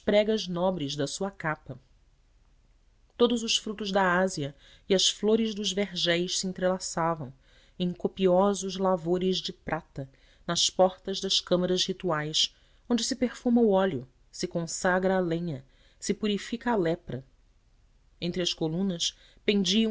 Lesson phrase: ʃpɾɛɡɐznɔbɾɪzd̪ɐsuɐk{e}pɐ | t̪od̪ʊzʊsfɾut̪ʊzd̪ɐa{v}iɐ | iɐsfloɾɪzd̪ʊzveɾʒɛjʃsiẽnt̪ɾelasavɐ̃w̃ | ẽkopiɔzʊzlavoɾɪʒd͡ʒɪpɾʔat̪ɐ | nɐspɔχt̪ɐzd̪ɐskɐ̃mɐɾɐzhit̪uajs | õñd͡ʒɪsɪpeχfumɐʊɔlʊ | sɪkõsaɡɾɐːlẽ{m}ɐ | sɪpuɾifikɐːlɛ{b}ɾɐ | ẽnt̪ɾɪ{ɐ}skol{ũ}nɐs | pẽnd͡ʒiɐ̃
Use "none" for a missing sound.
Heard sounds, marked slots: a, z, ɲ, p, ɐ, ũ

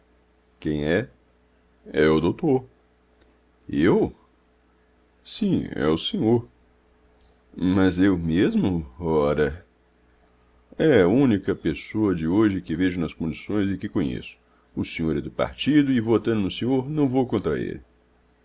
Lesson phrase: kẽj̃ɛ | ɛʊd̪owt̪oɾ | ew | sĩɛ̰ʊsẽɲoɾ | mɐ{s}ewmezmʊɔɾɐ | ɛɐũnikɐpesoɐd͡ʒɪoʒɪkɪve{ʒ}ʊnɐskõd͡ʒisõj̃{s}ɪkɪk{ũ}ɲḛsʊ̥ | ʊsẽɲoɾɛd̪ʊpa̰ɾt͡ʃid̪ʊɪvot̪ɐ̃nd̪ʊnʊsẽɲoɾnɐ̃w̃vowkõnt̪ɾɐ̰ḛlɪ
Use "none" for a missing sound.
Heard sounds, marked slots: z, ʒ, z, õ

